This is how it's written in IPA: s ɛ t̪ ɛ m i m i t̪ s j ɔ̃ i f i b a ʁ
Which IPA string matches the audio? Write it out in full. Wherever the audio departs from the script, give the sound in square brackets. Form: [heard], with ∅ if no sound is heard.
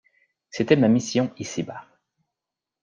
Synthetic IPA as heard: s [e] t̪ ɛ m [a] m i [∅] s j ɔ̃ i [s] i b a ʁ